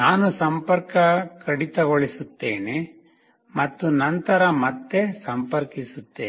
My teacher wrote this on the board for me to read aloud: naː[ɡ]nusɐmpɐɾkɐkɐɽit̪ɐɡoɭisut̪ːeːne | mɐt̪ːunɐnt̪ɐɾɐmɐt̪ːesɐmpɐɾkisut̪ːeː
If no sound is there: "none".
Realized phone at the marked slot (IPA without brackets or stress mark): none